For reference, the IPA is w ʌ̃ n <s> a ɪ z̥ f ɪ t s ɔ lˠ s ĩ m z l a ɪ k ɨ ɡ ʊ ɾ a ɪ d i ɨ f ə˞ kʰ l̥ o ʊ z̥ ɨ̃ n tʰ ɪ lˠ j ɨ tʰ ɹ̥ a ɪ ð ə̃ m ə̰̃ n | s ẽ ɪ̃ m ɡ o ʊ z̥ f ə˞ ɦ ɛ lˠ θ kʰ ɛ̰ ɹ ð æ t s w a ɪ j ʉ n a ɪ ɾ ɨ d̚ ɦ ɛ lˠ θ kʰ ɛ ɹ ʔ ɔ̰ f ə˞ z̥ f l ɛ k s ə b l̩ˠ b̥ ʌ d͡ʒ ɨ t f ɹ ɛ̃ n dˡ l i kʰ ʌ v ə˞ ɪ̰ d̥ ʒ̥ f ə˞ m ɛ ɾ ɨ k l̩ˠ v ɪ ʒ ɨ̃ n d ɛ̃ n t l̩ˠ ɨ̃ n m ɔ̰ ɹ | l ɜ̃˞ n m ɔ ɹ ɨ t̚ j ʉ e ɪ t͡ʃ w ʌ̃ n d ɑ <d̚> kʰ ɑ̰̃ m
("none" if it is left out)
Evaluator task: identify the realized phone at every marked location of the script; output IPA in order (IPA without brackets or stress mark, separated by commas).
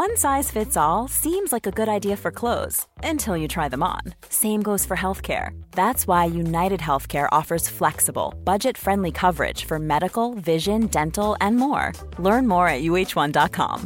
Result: s, t̚